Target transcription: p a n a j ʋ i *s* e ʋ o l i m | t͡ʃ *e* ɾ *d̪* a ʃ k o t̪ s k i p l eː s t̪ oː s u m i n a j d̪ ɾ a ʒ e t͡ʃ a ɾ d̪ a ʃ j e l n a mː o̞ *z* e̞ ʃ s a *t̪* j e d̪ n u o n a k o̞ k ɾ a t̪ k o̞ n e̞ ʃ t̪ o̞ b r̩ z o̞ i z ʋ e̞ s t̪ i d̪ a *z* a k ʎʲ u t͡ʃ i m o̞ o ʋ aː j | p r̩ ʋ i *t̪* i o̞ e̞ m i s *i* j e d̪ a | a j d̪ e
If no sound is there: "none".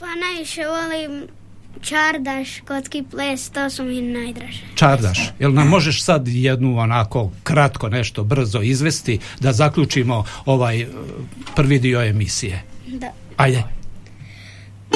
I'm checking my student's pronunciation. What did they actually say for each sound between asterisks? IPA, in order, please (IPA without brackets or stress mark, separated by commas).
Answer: ʃ, a, d̪, ʒ, d̪, z, d̪, i